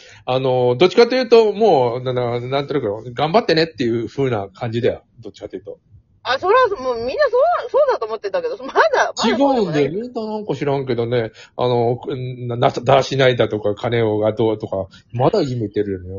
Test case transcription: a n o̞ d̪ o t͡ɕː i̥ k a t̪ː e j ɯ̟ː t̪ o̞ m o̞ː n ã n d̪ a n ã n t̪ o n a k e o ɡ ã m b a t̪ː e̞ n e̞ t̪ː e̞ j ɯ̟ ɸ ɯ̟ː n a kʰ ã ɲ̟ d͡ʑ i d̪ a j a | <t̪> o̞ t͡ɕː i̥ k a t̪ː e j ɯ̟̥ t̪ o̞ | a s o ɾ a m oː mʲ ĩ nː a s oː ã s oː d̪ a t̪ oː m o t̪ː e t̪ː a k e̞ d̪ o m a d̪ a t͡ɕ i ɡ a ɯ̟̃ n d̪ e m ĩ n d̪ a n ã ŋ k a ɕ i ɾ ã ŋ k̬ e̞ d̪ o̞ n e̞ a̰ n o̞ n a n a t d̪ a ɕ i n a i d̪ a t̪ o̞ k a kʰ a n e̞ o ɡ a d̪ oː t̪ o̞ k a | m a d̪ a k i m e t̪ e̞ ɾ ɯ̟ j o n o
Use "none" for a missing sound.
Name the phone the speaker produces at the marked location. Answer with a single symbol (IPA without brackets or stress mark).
d̪